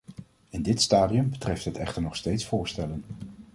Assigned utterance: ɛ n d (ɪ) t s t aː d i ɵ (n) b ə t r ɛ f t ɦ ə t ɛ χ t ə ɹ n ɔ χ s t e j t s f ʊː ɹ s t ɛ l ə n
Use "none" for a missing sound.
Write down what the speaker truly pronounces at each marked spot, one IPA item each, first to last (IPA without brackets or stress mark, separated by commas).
ɪ, m